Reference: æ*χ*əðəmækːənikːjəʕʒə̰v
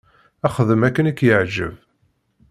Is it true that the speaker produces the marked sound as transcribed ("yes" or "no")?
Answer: yes